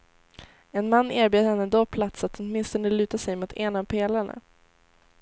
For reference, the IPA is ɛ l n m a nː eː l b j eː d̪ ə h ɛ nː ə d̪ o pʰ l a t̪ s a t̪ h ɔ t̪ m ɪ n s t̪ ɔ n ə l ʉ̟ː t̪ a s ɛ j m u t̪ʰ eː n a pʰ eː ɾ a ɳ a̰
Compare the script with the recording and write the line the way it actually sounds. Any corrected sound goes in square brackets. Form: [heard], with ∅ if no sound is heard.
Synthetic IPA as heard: ɛ [∅] n m a nː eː [ɾ] b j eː d̪ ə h ɛ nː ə d̪ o pʰ l a t̪ s a t̪ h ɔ t̪ m ɪ n s t̪ ɔ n ə l ʉ̟ː t̪ a s ɛ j m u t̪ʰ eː n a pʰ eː [l] a ɳ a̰